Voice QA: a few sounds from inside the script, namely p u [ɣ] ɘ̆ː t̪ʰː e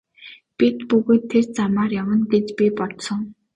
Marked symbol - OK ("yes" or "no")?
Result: yes